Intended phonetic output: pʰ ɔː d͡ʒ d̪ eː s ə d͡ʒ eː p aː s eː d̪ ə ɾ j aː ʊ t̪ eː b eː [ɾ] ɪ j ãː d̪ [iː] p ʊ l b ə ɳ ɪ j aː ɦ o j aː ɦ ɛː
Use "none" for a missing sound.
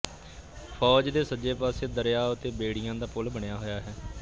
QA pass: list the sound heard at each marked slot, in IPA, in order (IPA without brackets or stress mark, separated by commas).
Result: ɽ, aː